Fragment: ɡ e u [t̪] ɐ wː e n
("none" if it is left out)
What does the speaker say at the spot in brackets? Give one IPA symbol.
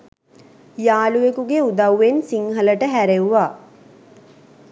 d̪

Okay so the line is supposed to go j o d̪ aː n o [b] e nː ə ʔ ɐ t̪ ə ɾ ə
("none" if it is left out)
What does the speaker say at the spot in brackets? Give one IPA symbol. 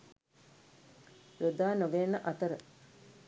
ɡ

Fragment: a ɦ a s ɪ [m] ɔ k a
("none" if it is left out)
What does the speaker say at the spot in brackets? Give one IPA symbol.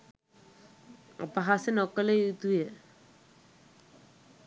n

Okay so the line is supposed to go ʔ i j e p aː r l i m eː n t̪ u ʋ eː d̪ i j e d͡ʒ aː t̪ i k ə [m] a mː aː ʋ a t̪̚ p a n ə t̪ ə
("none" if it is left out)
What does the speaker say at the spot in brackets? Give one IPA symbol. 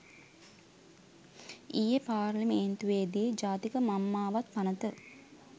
m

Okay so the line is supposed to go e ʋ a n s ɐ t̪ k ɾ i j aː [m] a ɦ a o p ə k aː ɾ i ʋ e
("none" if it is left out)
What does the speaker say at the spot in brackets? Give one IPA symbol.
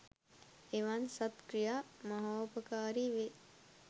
m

